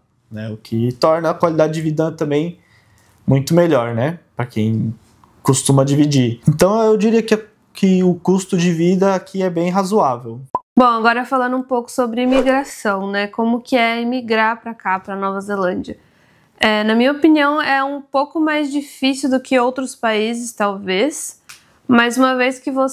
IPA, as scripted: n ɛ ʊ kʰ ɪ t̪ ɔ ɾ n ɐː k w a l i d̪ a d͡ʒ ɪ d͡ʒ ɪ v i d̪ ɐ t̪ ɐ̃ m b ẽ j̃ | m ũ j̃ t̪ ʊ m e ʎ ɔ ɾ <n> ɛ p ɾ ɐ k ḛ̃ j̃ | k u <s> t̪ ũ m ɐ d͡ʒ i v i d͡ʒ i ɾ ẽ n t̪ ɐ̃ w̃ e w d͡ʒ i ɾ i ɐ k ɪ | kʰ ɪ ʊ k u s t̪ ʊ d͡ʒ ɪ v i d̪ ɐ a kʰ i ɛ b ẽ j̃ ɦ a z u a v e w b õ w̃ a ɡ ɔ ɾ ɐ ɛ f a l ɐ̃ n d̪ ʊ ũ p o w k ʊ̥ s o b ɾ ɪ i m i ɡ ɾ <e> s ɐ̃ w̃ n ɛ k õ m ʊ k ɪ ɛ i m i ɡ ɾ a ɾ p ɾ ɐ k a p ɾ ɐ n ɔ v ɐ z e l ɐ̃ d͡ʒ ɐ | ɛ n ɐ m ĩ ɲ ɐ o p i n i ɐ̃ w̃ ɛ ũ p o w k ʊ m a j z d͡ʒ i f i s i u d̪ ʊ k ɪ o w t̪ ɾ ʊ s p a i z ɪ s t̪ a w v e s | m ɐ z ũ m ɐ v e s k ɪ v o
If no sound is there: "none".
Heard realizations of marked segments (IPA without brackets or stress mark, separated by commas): n, s, a